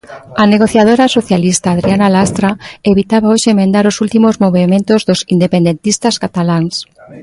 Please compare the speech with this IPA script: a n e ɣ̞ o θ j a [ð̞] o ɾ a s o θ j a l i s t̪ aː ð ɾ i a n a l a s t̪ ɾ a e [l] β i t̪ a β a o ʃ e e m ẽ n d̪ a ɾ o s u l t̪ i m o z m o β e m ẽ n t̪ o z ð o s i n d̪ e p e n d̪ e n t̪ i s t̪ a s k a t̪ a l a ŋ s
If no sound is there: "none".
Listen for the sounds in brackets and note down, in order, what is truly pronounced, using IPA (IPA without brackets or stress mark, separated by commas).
ð̞, none